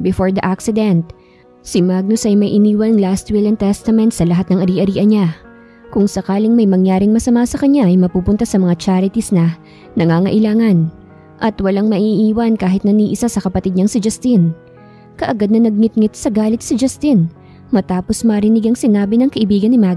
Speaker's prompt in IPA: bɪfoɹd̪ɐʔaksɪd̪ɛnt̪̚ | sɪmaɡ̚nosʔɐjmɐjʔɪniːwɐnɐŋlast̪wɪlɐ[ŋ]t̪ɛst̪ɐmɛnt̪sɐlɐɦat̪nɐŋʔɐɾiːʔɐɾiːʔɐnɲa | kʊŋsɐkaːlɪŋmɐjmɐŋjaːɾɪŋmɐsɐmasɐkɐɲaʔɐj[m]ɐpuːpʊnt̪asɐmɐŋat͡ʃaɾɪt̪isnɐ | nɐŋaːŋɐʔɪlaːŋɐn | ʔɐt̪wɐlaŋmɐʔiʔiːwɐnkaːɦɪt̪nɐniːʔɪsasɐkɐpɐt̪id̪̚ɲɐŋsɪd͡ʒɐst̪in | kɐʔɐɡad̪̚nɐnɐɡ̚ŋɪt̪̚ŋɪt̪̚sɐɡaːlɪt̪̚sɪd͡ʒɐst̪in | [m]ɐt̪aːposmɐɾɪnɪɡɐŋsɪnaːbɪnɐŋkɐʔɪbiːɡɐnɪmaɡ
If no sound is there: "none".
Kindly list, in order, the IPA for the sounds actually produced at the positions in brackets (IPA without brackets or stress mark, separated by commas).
n, m, m